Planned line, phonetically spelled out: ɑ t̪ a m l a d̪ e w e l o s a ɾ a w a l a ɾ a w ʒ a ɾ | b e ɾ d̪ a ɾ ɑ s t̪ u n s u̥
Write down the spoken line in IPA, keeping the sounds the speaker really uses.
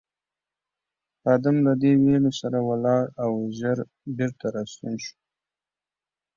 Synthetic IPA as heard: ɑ d̪ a m l a d̪ e w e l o s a ɾ a w a l ɑ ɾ a w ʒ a ɾ | b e ɾ t̪ a ɾ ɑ s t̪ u n ʃ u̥